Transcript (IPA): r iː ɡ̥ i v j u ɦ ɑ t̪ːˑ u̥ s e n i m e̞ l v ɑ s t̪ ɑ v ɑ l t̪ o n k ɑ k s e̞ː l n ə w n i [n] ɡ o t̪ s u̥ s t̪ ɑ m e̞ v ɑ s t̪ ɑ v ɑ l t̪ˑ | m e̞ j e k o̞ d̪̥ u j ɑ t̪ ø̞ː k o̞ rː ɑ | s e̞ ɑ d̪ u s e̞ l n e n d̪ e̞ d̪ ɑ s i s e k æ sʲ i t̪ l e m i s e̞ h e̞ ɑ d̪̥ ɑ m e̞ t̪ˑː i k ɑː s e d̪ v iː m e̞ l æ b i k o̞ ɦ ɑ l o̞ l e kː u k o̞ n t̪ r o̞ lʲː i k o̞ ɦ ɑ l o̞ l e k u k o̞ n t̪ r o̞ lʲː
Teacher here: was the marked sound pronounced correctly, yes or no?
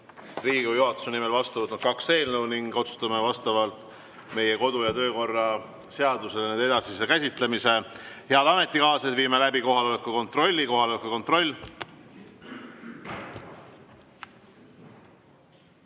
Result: no